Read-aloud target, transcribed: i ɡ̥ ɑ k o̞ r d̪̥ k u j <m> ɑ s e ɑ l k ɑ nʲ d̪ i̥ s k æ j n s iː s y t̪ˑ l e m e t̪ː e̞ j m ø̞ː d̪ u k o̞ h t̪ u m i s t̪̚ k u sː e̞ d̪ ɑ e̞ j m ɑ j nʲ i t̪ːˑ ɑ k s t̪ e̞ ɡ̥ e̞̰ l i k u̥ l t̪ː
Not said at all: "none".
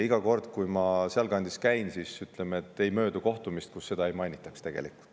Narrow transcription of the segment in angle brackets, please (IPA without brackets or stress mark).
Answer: m